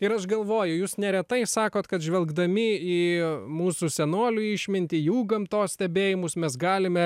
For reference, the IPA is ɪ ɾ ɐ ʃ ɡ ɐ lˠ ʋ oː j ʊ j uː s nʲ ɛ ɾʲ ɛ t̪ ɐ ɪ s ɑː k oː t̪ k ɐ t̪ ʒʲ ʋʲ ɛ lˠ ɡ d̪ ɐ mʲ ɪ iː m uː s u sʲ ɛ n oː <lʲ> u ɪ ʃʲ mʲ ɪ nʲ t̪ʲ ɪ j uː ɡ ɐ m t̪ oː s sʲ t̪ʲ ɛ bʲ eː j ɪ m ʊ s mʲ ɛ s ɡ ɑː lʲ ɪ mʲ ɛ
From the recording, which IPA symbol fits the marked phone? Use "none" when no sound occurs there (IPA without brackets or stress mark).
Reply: lʲ